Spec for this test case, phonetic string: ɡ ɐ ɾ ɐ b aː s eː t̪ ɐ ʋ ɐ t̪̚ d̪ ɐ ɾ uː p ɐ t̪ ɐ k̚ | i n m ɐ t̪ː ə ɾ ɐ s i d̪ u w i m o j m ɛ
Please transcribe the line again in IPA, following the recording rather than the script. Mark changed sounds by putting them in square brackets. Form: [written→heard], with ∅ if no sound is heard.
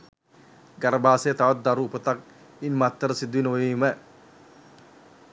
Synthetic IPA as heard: ɡ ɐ ɾ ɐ b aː s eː t̪ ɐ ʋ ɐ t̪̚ d̪ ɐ ɾ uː p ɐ t̪ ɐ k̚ | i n m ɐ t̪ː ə ɾ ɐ s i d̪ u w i [m→n] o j m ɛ